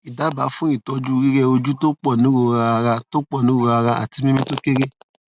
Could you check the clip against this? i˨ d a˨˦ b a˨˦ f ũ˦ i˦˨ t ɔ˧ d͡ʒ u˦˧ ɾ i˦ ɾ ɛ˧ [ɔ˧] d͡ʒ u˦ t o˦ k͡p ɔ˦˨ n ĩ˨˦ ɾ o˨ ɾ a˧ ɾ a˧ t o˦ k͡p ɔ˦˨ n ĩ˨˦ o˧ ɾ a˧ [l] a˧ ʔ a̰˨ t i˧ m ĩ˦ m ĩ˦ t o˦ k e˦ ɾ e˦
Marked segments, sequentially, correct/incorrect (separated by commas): incorrect, incorrect